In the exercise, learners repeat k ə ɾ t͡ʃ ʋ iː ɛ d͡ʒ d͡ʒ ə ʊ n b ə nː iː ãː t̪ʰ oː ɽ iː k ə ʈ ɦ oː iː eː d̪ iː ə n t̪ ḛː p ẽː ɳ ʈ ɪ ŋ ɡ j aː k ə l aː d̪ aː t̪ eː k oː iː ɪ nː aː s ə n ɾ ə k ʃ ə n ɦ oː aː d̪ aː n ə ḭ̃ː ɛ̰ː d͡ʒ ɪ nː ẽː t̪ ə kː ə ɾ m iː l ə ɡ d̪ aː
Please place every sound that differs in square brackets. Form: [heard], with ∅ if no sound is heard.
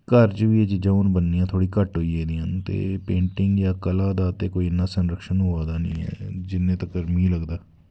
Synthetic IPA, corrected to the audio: k ə ɾ t͡ʃ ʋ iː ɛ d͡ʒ d͡ʒ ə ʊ n b ə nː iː ãː t̪ʰ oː ɽ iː k ə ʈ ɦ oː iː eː d̪ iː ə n t̪ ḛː p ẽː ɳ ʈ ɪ ŋ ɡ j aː k ə l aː d̪ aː t̪ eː k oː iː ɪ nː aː s ə n ɾ ə k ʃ ə n ɦ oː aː d̪ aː n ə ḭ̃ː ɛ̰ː d͡ʒ ɪ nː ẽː t̪ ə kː ə ɾ m iː l ə ɡ d̪ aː